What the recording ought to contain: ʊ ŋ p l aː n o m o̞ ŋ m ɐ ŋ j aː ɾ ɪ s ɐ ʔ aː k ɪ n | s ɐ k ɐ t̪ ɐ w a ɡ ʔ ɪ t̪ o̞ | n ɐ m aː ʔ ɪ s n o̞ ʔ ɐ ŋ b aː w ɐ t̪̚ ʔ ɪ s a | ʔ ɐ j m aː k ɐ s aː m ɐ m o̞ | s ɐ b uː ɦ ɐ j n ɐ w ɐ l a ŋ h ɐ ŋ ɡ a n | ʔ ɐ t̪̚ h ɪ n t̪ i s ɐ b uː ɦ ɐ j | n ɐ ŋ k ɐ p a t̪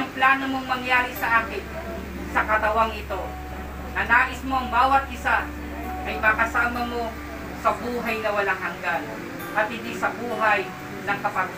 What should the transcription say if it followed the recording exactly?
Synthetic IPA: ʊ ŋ p l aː n o m o̞ ŋ m ɐ ŋ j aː ɾ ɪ s ɐ ʔ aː k ɪ n | s ɐ k ɐ t̪ ɐ w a ŋ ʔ ɪ t̪ o̞ | n ɐ n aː ʔ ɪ s m o̞ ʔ ɐ ŋ b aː w ɐ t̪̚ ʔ ɪ s a | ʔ ɐ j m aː k ɐ s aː m ɐ m o̞ | s ɐ b uː ɦ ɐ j n ɐ w ɐ l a ŋ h ɐ ŋ ɡ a n | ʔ ɐ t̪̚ h ɪ n d̪ i s ɐ b uː ɦ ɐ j | n ɐ ŋ k ɐ p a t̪